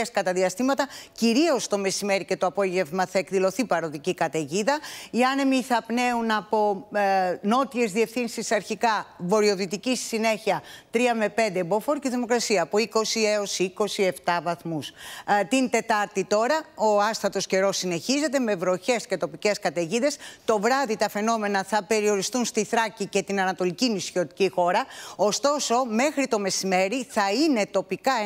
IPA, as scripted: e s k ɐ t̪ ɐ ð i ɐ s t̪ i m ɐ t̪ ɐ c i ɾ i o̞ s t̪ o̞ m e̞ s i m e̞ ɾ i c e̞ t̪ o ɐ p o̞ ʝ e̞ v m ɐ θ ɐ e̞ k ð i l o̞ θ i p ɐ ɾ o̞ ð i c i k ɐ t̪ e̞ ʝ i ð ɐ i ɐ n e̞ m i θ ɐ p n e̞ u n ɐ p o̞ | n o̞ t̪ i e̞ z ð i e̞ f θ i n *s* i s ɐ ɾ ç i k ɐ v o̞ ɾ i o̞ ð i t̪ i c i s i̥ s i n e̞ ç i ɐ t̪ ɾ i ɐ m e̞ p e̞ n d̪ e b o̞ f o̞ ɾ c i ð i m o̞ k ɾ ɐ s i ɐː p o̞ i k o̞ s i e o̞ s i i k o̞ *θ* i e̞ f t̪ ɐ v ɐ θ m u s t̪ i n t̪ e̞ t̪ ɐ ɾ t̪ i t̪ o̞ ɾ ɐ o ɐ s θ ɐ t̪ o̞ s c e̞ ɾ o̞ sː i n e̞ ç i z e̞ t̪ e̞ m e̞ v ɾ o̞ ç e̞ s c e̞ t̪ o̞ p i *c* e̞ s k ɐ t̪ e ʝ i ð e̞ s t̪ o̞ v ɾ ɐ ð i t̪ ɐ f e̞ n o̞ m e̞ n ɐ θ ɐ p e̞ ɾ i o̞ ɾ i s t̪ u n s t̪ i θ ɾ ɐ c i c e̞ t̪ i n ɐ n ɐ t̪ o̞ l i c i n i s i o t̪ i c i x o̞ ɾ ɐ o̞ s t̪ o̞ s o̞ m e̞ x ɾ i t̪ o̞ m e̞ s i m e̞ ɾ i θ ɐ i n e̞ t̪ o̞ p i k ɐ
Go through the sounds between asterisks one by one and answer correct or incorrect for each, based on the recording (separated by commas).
correct, incorrect, correct